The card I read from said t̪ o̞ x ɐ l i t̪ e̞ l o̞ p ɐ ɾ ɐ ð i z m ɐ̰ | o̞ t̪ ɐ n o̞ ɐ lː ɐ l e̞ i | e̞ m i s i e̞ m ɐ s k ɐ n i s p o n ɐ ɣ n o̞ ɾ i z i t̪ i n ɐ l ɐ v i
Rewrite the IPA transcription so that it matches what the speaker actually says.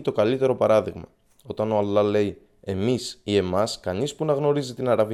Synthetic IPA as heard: t̪ o̞ k ɐ l i t̪ e̞ ɾ o̞ p ɐ ɾ ɐ ð i ɣ m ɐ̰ | o̞ t̪ ɐ n o̞ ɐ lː ɐ l e̞ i | e̞ m i s i e̞ m ɐ s k ɐ n i s p u n ɐ ɣ n o̞ ɾ i z i t̪ i n ɐ ɾ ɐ v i